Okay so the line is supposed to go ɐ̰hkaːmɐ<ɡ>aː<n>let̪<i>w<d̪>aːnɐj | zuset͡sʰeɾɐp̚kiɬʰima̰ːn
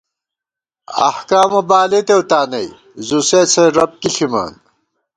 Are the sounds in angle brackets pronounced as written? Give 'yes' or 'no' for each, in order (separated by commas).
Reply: no, no, no, no